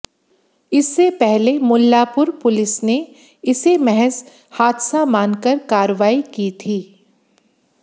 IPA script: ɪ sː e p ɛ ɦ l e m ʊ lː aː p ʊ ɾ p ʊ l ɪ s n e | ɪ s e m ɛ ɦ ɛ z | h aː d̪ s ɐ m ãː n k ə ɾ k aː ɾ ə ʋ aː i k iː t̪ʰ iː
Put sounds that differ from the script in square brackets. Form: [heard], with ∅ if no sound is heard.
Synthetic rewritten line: ɪ sː e p ɛ ɦ l e m ʊ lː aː p ʊ ɾ p ʊ l ɪ s n e | ɪ s e m ɛ ɦ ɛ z | h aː d̪ s [a] m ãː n k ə ɾ k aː ɾ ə ʋ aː i k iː t̪ʰ iː